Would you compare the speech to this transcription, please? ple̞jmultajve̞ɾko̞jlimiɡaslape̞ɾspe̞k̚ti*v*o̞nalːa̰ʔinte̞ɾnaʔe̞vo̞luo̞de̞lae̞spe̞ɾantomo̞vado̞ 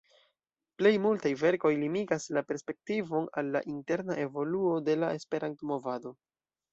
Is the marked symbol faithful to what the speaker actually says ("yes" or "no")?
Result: yes